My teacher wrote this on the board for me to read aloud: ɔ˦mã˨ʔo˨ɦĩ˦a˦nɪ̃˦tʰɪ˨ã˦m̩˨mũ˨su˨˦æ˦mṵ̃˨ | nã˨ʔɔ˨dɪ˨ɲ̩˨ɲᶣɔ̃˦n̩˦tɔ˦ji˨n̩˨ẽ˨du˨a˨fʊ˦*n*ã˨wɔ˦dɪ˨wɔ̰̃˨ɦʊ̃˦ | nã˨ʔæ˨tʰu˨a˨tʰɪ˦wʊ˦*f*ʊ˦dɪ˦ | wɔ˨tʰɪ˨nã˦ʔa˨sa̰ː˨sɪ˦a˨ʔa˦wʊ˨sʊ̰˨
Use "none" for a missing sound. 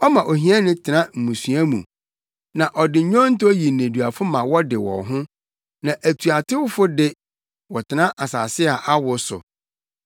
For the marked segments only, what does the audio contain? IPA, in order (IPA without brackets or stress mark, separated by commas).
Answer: m, f